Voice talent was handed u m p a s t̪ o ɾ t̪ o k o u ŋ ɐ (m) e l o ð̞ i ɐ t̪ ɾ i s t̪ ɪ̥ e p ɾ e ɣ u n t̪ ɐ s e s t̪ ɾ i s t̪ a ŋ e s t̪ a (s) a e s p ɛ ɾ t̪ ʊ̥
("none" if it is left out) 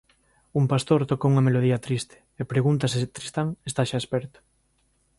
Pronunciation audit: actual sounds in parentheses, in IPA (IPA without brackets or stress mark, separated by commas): m, ʃ